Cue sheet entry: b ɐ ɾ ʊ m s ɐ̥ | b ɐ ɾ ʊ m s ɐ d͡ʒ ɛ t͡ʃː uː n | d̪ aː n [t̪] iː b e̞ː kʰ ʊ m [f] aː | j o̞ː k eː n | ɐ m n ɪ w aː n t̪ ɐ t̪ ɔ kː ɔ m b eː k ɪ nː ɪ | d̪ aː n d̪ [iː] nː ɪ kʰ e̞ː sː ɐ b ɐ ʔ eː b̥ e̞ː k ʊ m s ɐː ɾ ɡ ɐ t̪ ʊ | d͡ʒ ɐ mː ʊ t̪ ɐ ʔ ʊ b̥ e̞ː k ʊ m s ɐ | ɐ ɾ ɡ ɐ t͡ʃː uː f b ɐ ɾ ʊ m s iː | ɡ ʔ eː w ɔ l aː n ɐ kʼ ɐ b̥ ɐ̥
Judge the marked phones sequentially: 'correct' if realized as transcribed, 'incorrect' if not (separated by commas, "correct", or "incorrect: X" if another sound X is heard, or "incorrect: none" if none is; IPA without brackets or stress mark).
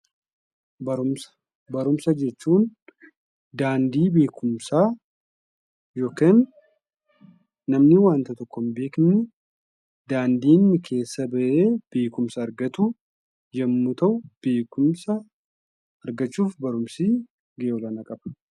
incorrect: d̪, incorrect: s, correct